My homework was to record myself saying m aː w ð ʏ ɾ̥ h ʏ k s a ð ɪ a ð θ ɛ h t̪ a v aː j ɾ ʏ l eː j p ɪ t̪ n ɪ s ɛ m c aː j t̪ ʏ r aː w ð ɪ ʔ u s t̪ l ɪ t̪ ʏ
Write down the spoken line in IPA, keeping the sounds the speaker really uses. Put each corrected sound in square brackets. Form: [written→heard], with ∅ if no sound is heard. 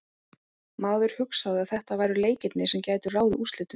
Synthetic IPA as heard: m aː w ð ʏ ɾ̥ h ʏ k s a ð ɪ a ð θ ɛ h t̪ a v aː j ɾ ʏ l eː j [p→c] ɪ t̪ n ɪ s ɛ m c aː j t̪ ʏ r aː w ð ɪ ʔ u s t̪ l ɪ t̪ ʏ